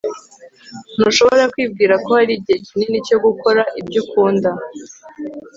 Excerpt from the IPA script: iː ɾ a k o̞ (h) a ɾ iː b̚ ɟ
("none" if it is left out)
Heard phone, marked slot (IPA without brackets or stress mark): h